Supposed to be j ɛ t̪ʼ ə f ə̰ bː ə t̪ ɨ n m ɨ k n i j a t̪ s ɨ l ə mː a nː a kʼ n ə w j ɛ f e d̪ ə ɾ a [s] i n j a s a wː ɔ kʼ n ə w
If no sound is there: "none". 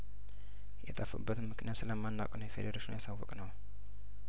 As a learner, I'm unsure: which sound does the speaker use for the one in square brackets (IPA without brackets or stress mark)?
ʃ